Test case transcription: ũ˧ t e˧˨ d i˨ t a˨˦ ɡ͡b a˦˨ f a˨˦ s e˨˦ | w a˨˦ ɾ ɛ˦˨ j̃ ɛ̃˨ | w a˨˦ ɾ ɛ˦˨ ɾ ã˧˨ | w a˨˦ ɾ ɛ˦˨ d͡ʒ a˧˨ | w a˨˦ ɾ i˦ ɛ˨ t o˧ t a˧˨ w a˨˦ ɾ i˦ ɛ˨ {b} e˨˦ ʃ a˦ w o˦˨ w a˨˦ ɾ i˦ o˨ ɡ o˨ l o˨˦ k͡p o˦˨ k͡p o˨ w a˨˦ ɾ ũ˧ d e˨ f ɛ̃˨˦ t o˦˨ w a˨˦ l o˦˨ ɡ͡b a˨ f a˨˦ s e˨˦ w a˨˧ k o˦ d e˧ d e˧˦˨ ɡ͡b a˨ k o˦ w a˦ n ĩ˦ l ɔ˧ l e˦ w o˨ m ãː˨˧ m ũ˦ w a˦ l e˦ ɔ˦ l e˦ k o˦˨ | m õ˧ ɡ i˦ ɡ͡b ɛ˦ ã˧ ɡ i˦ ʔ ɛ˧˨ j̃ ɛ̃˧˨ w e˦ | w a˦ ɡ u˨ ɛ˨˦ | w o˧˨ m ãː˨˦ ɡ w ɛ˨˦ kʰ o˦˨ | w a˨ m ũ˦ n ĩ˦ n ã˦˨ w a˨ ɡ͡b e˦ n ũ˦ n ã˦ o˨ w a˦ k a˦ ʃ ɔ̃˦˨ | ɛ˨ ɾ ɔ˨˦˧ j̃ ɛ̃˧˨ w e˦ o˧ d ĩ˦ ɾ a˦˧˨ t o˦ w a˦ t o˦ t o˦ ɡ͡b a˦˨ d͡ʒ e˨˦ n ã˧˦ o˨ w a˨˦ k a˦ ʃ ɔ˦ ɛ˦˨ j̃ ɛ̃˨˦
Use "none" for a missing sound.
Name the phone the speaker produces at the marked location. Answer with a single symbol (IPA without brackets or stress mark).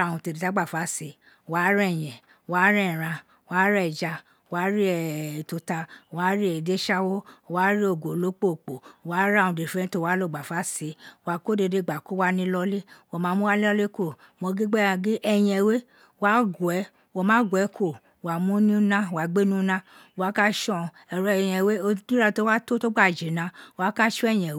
d